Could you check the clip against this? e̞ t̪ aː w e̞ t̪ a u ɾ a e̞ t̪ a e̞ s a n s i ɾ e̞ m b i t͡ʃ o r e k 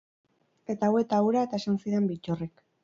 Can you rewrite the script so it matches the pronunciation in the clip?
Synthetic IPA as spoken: e̞ t̪ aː w e̞ t̪ a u ɾ a e̞ t̪ a e̞ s a n s i ɾ e̞ m b i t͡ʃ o r e k